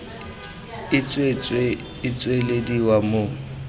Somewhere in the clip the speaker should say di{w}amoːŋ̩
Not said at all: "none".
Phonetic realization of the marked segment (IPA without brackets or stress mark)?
w